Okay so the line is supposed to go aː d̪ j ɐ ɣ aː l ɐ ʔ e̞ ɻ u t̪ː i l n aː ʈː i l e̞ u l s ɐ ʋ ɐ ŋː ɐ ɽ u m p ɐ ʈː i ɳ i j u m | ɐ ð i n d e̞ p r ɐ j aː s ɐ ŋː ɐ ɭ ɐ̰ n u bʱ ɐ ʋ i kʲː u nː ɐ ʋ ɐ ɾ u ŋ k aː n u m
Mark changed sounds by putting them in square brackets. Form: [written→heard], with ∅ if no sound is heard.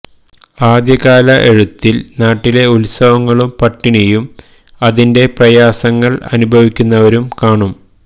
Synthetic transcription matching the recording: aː d̪ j ɐ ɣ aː l ɐ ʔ e̞ ɻ u t̪ː i l n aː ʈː i l e̞ u l s ɐ ʋ ɐ ŋː ɐ [ɽ→ɭ] u m p ɐ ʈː i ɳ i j u m | ɐ ð i n d e̞ p r ɐ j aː s ɐ ŋː ɐ ɭ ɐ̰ n u bʱ ɐ ʋ i kʲː u nː ɐ ʋ ɐ ɾ u [ŋ→m] k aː [n→ɳ] u m